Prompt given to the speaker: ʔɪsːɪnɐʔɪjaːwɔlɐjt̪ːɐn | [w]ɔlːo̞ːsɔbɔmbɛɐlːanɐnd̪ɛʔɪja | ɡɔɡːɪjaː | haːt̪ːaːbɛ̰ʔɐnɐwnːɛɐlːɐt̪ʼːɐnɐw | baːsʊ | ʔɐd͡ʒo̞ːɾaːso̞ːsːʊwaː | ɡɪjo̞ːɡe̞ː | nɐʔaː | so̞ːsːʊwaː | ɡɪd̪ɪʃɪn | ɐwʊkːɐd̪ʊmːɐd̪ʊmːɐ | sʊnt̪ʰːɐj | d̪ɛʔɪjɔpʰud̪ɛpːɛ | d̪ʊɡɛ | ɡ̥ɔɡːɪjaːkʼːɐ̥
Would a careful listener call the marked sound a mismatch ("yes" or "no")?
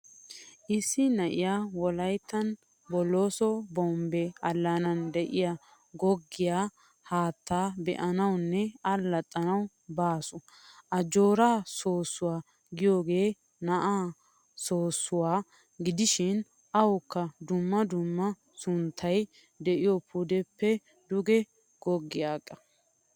yes